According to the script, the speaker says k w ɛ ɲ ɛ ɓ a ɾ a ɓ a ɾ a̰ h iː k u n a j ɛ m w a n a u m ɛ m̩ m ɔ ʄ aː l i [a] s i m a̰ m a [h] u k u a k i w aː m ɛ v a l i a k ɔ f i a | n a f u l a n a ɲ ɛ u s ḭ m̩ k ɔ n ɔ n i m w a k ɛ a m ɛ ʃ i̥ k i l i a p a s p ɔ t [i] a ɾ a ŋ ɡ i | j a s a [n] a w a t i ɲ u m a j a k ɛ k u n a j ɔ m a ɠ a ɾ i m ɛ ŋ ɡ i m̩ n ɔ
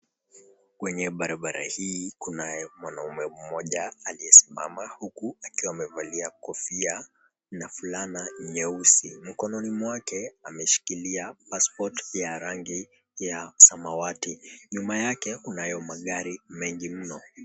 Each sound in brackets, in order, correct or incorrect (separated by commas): incorrect, correct, incorrect, incorrect